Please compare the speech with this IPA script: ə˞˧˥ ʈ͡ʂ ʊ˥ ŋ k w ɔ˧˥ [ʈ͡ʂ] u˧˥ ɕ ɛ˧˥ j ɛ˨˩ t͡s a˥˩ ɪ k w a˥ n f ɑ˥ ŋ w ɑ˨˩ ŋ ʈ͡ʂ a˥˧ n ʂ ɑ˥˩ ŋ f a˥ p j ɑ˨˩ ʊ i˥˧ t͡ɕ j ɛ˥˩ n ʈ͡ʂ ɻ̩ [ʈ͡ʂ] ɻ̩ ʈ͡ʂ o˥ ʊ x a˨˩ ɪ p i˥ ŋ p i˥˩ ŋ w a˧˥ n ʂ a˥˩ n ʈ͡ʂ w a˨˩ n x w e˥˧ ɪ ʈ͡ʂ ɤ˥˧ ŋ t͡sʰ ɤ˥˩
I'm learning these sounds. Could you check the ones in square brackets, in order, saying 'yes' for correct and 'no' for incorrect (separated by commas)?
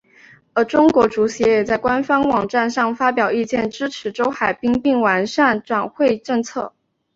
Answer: yes, no